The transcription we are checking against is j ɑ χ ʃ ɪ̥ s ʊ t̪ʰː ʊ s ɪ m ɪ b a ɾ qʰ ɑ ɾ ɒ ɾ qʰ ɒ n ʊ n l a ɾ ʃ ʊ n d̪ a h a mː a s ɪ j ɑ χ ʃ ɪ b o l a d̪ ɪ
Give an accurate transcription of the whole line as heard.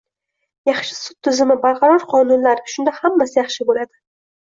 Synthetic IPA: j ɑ χ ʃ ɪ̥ s ʊ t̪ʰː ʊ z ɪ m ɪ b a ɾ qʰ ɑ ɾ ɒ ɾ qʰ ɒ n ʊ n l a ɾ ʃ ʊ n d̪ a h a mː a s ɪ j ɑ χ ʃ ɪ b o l a d̪ ɪ

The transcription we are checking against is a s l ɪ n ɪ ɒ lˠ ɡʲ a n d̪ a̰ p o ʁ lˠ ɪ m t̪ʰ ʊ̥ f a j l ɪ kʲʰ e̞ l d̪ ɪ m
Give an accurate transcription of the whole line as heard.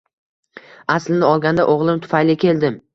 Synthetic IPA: a s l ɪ n ɪ ɒ lˠ ɡʲ a n d̪ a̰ ʔ o ʁ lˠ ɪ m t̪ʰ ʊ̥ f a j l ɪ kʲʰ e̞ l d̪ ɪ m

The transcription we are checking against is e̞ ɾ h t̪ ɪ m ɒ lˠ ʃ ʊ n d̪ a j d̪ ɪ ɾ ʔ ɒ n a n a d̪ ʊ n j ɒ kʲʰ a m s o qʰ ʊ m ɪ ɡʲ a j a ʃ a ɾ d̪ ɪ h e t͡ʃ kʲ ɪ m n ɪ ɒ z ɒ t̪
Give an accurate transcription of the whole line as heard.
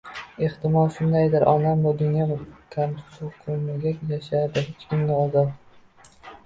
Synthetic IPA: e̞ h t̪ ɪ m ɒ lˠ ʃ ʊ n d̪ a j d̪ ɪ ɾ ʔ ɒ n a m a d̪ ʊ n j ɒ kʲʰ a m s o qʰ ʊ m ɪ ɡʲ a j a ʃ a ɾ d̪ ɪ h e t͡ʃ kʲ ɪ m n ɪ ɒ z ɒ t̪

